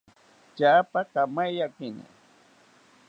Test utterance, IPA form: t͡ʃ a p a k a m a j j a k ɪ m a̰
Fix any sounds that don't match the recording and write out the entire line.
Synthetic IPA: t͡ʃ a p a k a m a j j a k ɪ n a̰